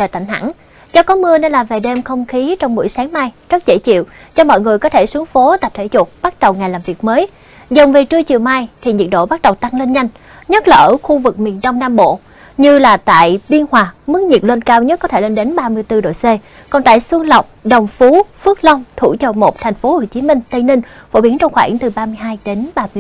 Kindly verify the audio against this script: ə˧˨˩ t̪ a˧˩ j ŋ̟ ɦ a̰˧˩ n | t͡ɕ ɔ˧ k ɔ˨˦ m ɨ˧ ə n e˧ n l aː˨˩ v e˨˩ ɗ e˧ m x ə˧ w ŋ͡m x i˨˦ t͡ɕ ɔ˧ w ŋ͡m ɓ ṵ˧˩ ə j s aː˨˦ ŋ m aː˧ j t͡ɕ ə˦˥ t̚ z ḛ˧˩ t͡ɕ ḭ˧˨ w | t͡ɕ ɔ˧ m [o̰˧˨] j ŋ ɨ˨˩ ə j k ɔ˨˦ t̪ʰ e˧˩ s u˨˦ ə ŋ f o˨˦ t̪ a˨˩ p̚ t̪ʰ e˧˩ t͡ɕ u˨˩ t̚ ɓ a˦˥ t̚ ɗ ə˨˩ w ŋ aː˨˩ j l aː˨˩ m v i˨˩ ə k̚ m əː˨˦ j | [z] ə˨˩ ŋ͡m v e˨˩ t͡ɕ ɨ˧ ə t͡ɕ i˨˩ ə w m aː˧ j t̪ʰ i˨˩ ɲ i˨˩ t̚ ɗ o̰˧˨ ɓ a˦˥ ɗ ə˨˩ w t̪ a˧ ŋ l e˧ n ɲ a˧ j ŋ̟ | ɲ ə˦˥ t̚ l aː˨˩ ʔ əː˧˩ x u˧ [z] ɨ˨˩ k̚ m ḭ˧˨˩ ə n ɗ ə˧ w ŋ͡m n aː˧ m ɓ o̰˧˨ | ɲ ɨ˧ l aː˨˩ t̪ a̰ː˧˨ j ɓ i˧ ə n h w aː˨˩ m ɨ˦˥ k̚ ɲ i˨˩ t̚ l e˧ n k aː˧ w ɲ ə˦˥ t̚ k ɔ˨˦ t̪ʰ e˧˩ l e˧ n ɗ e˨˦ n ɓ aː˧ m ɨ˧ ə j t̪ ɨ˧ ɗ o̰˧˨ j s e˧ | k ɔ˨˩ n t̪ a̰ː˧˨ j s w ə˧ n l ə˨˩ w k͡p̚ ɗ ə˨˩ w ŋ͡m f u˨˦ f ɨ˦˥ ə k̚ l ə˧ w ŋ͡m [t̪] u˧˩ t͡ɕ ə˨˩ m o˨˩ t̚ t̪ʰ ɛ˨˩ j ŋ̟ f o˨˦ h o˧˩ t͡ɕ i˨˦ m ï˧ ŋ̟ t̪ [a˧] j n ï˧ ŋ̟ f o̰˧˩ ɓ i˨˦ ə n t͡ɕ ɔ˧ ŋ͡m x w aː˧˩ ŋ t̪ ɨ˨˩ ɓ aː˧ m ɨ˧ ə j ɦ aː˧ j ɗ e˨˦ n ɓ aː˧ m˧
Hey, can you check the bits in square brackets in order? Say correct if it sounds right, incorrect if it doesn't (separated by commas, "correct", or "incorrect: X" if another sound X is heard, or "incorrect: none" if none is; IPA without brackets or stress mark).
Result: incorrect: ɔ̰˧˨, correct, incorrect: v, incorrect: t̪ʰ, incorrect: ə˧